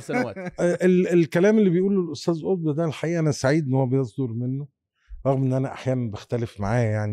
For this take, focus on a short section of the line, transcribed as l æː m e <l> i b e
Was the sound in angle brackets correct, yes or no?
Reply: no